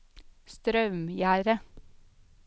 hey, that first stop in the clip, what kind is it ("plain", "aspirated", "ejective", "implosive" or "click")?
plain